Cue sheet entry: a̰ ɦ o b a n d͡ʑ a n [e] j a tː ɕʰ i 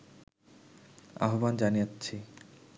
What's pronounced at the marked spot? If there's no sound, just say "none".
i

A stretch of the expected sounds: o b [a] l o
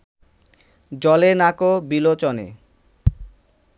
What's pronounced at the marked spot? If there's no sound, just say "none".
i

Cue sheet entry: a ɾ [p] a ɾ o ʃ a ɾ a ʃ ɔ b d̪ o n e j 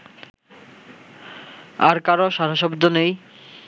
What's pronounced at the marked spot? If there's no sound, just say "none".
k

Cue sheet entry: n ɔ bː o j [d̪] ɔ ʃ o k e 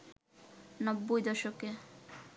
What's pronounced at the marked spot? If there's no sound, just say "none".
d̪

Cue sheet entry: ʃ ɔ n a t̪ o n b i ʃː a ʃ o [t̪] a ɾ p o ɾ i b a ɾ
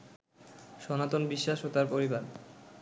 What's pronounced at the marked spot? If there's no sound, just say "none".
t̪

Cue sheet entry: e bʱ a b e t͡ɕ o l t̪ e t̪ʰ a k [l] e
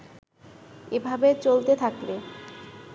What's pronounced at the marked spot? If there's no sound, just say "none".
l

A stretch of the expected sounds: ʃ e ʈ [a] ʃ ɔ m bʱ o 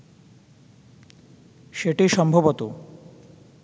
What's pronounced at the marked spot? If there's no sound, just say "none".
i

